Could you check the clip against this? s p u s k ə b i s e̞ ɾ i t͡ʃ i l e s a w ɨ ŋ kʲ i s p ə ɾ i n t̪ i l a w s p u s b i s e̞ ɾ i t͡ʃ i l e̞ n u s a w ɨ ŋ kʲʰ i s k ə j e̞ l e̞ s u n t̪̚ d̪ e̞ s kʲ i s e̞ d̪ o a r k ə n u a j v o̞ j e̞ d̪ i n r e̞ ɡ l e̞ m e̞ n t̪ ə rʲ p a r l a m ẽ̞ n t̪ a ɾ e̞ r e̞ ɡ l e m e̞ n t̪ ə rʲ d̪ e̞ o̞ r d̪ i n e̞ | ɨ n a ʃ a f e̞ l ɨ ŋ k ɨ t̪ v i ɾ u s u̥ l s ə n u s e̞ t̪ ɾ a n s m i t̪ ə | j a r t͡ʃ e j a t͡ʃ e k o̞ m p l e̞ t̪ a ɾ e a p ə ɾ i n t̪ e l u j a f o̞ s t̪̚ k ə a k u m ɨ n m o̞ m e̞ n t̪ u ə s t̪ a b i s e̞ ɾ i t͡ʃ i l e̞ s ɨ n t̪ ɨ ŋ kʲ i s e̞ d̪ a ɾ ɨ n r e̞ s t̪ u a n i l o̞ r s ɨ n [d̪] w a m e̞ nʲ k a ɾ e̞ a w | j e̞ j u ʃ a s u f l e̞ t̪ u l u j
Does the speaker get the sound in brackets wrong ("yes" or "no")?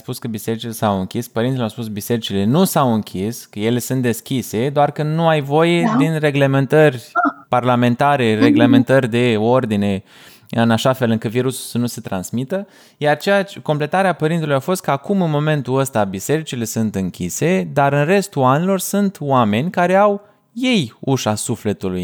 yes